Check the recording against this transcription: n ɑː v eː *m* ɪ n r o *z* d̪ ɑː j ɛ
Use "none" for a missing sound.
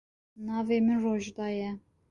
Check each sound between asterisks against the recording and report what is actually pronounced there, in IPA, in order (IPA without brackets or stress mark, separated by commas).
m, ʒ